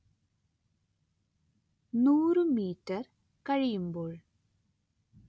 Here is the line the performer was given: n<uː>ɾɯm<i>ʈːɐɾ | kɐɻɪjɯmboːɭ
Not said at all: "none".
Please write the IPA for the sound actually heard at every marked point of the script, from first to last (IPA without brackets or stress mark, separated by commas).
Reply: uː, iː